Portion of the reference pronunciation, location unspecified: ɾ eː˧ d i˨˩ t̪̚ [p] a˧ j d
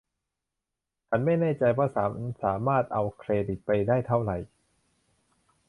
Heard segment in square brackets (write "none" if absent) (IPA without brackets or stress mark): p